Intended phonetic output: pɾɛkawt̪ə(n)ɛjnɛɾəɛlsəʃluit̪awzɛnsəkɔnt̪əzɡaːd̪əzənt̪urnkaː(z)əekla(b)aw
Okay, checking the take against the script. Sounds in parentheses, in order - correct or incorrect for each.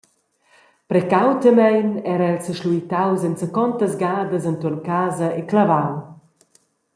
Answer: incorrect, correct, incorrect

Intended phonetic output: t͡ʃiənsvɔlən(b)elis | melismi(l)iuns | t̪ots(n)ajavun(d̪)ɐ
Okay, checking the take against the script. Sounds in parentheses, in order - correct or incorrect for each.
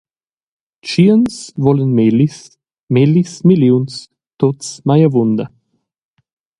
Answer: incorrect, correct, incorrect, correct

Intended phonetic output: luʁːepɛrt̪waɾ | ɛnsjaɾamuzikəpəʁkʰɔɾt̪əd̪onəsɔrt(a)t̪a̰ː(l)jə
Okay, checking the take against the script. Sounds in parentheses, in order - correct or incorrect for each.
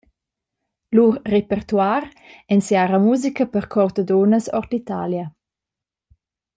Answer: incorrect, correct

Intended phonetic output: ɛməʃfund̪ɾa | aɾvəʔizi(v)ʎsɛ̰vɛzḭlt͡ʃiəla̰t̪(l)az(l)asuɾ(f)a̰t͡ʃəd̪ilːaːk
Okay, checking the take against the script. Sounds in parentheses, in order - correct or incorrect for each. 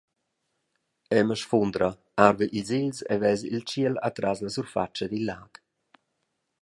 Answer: incorrect, incorrect, correct, correct

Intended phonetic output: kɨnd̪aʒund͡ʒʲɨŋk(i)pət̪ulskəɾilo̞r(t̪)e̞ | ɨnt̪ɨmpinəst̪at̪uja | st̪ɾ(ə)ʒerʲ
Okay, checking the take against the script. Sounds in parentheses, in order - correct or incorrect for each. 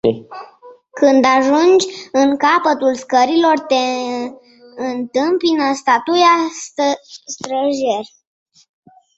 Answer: incorrect, correct, correct

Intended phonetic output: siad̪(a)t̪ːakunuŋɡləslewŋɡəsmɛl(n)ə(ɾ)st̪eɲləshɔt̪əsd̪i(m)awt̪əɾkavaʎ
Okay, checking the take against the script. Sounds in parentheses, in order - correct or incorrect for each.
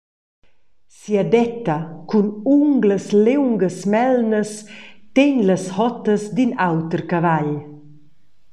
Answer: incorrect, correct, incorrect, incorrect

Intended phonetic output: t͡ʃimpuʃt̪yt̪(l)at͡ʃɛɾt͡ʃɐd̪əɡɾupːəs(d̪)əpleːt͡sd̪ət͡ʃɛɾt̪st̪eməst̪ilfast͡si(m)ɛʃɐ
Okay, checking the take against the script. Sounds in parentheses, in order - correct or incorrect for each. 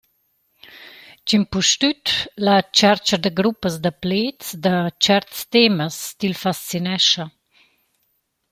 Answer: correct, correct, incorrect

